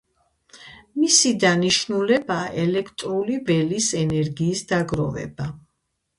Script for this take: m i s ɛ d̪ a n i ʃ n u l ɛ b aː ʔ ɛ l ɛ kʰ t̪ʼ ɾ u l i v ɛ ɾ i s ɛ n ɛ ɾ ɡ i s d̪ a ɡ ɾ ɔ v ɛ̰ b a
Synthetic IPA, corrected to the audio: m i s i d̪ a n i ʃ n u l ɛ b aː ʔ ɛ l ɛ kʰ t̪ʼ ɾ u l i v ɛ l i s ɛ n ɛ ɾ ɡ iː s d̪ a ɡ ɾ ɔ v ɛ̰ b a